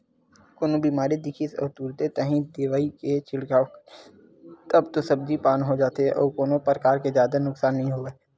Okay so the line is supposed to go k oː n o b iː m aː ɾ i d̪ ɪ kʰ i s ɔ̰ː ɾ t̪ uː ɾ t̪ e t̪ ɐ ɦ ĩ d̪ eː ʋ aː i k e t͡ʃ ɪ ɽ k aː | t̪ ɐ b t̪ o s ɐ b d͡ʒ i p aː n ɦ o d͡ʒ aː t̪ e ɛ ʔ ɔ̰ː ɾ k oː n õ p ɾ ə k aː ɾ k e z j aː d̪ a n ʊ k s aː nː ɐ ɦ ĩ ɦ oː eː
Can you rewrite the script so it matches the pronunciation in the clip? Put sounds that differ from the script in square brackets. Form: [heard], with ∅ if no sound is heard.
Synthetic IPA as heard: k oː n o b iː m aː ɾ i d̪ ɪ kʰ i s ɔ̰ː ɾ t̪ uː ɾ t̪ e t̪ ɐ ɦ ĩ d̪ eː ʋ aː i k e t͡ʃ ɪ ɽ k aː | t̪ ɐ b t̪ o s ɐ b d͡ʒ i p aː n ɦ o d͡ʒ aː t̪ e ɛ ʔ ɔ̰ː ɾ k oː n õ p ɾ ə k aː ɾ k e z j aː d̪ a n ʊ k s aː nː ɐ ɦ ĩ ɦ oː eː